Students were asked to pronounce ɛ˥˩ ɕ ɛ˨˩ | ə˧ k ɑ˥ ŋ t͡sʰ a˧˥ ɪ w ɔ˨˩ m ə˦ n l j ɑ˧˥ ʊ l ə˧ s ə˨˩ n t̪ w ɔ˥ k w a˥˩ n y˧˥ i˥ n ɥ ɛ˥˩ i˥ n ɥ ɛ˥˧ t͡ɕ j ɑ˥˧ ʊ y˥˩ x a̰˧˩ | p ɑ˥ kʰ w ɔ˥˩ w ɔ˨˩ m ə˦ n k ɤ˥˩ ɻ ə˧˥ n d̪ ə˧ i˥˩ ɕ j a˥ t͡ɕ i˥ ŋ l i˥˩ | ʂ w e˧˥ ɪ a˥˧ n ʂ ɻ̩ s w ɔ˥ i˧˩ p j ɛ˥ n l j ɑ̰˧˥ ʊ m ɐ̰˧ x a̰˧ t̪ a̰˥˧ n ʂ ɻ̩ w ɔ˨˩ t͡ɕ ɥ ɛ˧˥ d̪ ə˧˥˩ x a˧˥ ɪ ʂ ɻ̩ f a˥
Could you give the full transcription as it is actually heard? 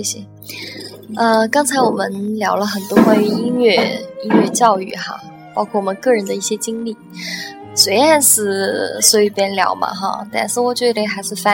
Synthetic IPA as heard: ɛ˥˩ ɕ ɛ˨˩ | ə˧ k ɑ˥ ŋ t͡sʰ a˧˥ ɪ w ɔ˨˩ m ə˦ n l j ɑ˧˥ ʊ l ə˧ x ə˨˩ n t̪ w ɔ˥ k w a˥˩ n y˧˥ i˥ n ɥ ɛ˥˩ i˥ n ɥ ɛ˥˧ t͡ɕ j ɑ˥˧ ʊ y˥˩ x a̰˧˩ | p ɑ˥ kʰ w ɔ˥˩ w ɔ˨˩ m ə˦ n k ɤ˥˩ ɻ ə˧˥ n d̪ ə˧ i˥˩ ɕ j ɛ˥ t͡ɕ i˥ ŋ l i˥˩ | s w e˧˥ ɪ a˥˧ n ʂ ɻ̩ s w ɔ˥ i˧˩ p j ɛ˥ n l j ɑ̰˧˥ ʊ m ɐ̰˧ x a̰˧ t̪ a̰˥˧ n ʂ ɻ̩ w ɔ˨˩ t͡ɕ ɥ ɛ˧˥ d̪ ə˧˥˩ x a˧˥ ɪ ʂ ɻ̩ f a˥